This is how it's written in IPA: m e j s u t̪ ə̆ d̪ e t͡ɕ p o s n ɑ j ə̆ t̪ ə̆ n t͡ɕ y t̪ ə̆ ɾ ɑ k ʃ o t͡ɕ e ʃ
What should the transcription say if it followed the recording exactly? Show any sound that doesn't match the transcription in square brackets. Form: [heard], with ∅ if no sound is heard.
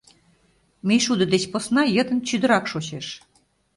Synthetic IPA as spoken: m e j [ʃ] u [d̪] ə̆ d̪ e t͡ɕ p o s n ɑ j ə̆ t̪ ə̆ n t͡ɕ y [d̪] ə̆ ɾ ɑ k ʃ o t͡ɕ e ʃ

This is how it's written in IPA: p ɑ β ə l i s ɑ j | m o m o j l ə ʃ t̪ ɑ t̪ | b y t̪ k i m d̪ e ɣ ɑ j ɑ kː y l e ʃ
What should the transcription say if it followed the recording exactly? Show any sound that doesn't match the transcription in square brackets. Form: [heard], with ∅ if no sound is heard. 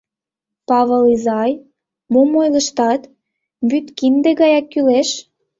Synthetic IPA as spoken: p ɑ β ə l i [z] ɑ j | m o m o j l ə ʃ t̪ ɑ t̪ | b y t̪ k i [n] d̪ e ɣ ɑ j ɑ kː y l e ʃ

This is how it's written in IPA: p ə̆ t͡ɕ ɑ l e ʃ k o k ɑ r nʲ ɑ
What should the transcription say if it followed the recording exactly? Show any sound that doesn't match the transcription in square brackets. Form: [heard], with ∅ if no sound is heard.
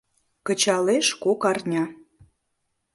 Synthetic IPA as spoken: [k] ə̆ t͡ɕ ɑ l e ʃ k o k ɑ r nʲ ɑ

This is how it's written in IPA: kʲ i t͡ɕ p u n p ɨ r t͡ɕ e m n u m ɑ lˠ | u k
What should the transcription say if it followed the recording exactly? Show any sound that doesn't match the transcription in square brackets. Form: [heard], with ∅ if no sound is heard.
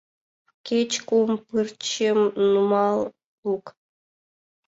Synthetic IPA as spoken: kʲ [e] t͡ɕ [k] u [m] p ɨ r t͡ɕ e m n u m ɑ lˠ | u k

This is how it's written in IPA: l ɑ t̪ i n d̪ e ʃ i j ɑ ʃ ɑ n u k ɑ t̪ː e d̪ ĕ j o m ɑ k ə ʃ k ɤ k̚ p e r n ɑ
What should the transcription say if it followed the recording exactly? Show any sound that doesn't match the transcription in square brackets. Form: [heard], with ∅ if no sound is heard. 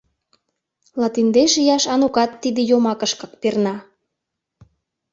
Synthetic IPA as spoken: l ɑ t̪ i n d̪ e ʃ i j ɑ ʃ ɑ n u k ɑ t̪ː [i] d̪ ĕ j o m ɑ k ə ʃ k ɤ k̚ p e r n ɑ

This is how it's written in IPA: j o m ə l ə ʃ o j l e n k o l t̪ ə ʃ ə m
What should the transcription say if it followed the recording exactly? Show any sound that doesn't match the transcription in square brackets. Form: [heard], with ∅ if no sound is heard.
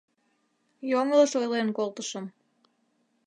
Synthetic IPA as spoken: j o [ŋ] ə l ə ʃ o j l e n k o l t̪ ə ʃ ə m

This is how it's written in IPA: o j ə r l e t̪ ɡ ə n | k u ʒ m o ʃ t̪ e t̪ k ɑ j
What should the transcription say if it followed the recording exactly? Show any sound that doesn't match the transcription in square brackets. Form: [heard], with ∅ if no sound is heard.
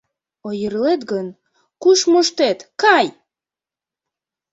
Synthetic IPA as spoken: o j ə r l e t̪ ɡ ə n | k u [ʃ] m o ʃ t̪ e t̪ k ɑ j

